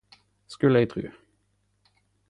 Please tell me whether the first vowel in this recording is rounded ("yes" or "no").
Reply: yes